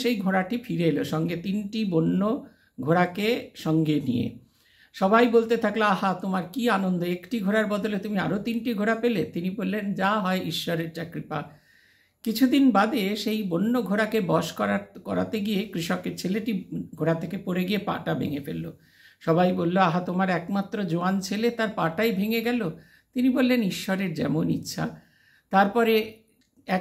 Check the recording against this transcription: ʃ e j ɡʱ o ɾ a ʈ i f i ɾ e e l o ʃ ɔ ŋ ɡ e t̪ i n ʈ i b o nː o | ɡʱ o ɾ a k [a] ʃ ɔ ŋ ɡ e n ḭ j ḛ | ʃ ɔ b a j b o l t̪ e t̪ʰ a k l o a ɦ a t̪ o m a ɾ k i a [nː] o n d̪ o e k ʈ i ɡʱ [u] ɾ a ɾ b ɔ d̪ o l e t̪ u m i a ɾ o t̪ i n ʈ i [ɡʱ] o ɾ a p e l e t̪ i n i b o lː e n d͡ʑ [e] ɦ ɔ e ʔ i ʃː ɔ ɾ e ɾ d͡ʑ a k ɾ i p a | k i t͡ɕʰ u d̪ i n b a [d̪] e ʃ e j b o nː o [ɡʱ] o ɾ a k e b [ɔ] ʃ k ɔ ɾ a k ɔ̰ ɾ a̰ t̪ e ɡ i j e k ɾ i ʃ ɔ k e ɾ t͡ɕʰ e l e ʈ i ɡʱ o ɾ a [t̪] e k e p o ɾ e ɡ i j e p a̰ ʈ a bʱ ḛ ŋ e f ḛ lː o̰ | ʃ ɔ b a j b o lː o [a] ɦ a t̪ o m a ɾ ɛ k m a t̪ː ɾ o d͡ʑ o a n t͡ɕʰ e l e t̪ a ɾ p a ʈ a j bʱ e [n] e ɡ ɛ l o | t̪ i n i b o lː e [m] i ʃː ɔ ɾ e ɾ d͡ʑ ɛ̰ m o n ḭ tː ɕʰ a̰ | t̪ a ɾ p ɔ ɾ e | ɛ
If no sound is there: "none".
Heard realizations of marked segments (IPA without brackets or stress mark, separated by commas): e, n, o, ɡʱ, a, d̪, ɡʱ, ɔ, t̪ʰ, a, ŋ, n